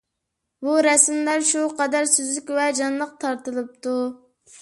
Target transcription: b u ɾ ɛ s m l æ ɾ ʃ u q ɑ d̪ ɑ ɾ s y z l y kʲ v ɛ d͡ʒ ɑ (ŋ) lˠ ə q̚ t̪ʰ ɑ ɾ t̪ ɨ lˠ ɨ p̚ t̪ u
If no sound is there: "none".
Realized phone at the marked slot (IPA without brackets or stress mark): n